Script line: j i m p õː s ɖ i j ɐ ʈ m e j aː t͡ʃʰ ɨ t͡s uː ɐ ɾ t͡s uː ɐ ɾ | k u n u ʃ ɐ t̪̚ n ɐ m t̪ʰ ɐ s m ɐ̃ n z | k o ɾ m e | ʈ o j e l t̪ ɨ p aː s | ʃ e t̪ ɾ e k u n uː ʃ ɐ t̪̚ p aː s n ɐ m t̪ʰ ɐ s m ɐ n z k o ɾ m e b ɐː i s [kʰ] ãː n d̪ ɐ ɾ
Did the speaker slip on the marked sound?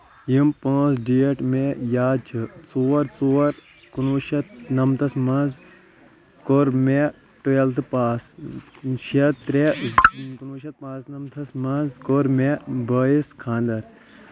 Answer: no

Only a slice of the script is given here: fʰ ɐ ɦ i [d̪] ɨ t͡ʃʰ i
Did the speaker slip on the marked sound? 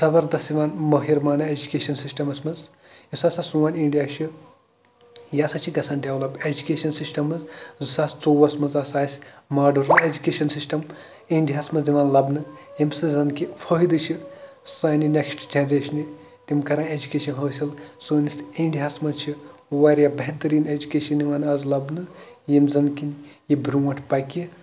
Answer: no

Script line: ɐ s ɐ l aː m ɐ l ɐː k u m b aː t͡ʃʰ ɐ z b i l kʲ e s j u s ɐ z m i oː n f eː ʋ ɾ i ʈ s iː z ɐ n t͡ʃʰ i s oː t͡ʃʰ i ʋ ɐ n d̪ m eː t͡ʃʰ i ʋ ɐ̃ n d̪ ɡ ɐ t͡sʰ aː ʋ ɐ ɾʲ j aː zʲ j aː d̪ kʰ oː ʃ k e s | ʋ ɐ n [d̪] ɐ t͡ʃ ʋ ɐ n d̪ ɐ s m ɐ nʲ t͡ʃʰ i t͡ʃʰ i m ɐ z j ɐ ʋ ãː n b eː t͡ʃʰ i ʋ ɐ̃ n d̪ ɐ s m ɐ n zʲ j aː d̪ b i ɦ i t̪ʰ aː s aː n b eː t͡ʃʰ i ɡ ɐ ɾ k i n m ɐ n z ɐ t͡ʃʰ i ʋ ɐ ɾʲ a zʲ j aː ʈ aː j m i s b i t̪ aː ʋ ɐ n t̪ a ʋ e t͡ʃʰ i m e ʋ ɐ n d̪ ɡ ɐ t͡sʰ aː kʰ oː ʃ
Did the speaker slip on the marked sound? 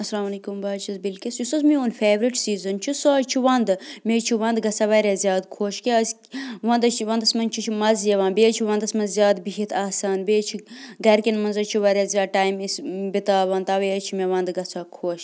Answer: no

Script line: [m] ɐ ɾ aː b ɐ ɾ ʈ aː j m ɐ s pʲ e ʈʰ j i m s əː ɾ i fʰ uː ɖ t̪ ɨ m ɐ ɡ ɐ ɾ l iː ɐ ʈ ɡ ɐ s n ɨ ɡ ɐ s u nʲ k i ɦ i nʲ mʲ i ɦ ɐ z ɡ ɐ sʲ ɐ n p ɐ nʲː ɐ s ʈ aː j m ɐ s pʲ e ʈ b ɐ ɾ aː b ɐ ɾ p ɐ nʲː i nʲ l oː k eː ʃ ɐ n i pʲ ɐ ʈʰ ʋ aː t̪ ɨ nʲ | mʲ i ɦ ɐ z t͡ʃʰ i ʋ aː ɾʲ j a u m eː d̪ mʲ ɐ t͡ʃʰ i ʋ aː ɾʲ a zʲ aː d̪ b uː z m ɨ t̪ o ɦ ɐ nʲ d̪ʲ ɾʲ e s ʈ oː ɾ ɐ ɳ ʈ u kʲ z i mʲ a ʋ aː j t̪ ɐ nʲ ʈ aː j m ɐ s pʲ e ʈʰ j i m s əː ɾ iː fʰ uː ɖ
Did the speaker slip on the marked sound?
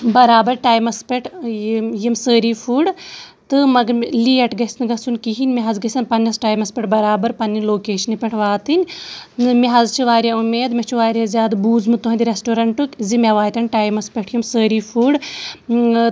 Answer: yes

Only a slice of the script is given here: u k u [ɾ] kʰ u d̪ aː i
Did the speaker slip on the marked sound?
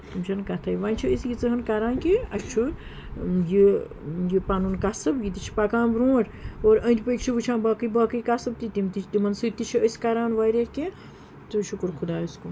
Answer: no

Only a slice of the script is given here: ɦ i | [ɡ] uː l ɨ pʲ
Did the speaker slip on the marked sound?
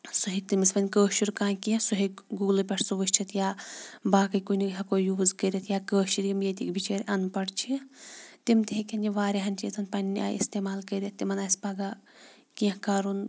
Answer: no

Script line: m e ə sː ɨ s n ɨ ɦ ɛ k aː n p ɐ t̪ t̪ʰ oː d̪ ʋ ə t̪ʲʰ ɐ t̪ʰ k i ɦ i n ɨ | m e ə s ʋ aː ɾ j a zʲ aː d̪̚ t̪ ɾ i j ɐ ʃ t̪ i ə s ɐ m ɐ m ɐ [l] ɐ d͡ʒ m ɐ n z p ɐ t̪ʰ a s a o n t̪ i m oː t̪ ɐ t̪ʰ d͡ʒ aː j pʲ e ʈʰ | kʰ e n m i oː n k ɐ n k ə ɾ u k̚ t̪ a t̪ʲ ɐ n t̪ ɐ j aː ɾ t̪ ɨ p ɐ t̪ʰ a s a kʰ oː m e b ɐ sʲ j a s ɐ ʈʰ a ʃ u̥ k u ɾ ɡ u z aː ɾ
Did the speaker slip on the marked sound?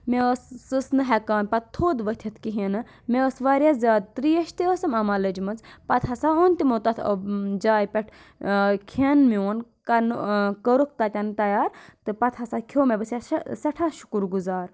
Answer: no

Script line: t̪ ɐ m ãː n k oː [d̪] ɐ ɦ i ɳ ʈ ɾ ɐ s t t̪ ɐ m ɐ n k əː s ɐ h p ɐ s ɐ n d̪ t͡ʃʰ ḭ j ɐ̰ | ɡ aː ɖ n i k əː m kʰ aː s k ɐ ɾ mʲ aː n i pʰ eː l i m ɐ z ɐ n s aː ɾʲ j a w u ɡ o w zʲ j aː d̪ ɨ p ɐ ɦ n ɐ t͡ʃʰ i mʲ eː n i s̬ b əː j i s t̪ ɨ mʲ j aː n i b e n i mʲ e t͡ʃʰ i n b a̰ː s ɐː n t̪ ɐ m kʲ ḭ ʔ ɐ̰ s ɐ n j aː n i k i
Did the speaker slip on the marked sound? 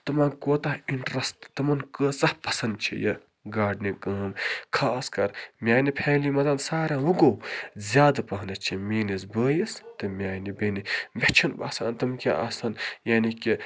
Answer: yes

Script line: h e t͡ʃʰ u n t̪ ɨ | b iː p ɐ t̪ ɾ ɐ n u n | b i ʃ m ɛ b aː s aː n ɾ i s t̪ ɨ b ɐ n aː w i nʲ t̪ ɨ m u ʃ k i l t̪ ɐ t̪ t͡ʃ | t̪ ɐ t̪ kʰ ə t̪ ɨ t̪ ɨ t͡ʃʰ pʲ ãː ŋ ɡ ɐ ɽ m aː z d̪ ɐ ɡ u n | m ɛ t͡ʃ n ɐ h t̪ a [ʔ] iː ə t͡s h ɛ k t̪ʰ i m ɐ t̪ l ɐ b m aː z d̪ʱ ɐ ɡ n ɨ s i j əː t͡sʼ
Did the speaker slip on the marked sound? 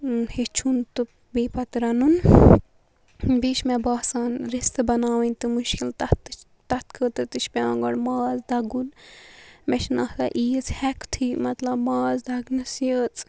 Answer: no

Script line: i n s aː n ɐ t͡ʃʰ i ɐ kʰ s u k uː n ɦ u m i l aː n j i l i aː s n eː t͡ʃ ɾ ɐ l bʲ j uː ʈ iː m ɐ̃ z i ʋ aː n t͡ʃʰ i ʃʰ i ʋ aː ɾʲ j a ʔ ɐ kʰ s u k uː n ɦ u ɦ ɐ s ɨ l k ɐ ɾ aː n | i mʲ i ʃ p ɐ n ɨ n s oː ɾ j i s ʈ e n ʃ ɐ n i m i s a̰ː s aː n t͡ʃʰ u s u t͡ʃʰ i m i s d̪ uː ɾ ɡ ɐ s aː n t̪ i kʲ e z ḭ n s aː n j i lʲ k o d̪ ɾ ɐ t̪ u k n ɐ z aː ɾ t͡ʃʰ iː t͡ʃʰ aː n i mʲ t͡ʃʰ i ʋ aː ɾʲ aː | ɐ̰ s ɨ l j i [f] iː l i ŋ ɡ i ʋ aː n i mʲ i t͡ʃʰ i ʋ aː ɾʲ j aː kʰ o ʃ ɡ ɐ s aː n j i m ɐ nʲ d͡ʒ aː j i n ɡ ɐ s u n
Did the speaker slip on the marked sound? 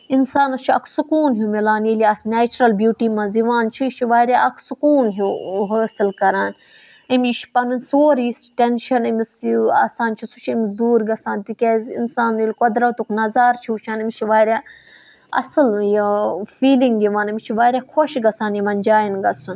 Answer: no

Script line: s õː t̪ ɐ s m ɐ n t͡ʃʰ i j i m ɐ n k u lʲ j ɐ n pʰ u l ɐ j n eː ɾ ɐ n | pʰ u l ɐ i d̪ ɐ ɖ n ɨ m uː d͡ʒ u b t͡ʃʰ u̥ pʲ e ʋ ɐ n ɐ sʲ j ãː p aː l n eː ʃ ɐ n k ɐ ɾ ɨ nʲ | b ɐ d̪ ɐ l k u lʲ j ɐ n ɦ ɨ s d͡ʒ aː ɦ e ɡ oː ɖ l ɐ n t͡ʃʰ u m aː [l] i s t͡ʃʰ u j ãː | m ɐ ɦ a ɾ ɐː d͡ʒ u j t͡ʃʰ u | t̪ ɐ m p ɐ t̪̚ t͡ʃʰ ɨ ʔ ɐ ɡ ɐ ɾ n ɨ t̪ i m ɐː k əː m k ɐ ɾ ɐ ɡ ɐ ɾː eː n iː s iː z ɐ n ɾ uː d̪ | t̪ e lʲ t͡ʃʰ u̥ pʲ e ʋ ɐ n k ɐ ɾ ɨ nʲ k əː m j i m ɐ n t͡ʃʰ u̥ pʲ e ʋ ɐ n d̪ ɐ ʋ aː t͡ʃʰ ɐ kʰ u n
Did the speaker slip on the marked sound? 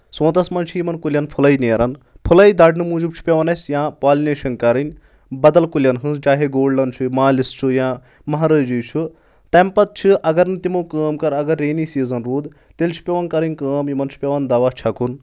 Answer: no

